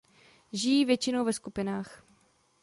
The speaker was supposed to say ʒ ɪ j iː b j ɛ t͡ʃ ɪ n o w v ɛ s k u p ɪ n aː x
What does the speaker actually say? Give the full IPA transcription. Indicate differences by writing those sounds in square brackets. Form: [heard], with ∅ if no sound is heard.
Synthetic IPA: ʒ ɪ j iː [v] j ɛ t͡ʃ ɪ n o w v ɛ s k u p ɪ n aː x